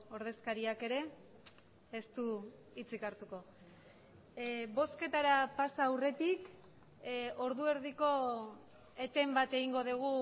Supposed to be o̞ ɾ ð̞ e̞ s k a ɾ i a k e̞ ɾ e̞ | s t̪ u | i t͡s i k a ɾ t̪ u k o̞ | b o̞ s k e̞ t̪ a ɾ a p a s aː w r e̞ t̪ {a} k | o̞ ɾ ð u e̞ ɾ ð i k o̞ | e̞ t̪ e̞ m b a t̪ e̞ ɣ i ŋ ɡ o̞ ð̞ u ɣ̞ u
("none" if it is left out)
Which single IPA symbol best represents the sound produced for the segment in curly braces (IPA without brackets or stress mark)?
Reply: i